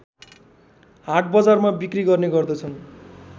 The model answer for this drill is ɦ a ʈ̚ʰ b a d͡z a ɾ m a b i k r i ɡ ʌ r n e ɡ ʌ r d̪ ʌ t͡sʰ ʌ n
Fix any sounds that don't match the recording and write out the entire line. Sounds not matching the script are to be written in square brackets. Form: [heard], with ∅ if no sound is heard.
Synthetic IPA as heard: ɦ a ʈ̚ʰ b [ʌ] d͡z a [r] m a b i k r i ɡ ʌ r n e ɡ ʌ r d̪ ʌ t͡sʰ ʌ n